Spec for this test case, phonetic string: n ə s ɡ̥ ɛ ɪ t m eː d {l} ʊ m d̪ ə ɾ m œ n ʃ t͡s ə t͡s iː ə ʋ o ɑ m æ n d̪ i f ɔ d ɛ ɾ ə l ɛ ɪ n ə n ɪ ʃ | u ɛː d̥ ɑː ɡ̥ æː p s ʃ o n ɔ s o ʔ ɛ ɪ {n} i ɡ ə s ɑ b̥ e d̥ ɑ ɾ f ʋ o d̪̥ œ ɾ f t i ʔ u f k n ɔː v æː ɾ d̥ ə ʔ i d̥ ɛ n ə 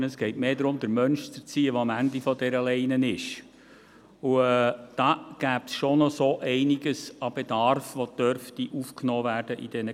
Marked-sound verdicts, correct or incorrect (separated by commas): incorrect, correct